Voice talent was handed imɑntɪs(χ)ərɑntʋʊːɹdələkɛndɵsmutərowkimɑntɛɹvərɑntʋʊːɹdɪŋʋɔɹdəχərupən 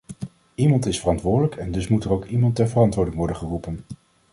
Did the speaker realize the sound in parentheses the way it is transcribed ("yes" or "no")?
no